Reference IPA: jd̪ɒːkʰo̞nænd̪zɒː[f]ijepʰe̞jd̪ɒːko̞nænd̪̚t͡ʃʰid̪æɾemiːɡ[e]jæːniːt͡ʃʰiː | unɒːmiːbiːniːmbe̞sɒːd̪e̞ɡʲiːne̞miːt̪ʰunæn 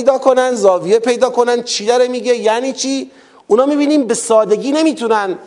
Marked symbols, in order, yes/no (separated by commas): no, yes